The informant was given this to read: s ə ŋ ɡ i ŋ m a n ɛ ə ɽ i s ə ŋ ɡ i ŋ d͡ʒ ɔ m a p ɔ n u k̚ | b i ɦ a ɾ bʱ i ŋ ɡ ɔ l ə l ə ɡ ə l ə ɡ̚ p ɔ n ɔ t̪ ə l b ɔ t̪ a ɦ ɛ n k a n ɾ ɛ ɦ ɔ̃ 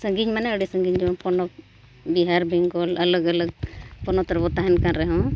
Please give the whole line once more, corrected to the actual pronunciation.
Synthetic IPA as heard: s ə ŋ ɡ i ɲ m a n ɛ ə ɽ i s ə ŋ ɡ i ɲ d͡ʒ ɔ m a p ɔ n ɔ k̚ | b i ɦ a ɾ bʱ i ŋ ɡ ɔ l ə l ə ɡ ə l ə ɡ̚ p ɔ n ɔ t̪ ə ɾ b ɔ t̪ a ɦ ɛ n k a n ɾ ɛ ɦ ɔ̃

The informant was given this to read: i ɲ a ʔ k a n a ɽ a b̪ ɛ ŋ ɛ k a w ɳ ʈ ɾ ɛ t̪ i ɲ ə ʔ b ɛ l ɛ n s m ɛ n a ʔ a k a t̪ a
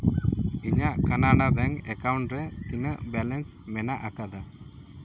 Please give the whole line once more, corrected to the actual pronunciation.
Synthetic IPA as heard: i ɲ a ʔ k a n a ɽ a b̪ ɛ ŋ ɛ k a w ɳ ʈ ɾ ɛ t̪ i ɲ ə ʔ b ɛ l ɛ n s m ɛ n a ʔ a k a d̪ a

